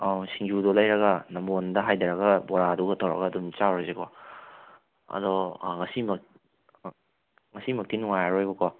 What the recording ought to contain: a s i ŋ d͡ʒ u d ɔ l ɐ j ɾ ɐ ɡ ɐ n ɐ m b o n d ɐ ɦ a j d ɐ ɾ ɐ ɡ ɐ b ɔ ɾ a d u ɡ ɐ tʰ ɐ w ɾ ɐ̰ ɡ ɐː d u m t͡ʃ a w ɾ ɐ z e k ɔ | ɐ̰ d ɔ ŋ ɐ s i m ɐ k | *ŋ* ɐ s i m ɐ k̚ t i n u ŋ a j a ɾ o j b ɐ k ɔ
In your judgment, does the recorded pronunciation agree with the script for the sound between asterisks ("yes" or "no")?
yes